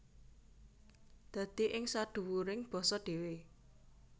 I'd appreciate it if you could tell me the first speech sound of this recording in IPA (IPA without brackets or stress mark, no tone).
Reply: d̪̥